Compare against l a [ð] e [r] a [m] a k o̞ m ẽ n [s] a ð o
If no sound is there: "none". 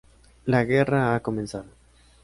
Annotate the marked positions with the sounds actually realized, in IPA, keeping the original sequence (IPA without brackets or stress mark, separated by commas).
ɣ, r, none, s